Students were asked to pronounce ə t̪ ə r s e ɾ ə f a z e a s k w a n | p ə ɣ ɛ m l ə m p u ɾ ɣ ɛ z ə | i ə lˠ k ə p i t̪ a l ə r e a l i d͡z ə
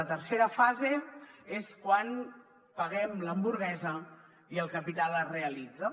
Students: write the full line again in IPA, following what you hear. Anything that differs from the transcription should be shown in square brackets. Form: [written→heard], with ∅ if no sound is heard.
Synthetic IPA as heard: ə t̪ ə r s e ɾ ə f a z e [a→e] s k w a n | p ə ɣ ɛ m l ə m [p→b] u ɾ ɣ ɛ z ə | i ə lˠ k ə p i t̪ a l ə r e [a→ə] l i d͡z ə